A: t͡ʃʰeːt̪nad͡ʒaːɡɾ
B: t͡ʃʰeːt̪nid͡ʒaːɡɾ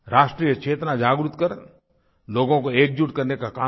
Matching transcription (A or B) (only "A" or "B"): A